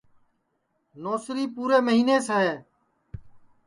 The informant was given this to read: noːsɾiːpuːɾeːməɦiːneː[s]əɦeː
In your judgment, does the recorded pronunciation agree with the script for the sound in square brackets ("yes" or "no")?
yes